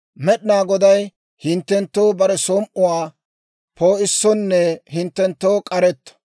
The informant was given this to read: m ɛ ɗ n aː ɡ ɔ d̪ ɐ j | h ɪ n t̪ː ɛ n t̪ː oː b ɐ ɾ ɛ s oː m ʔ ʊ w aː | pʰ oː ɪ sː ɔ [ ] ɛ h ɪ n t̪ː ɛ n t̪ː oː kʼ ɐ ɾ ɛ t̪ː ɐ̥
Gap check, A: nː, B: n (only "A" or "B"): A